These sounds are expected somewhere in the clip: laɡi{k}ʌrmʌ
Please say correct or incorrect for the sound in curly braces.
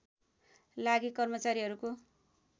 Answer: correct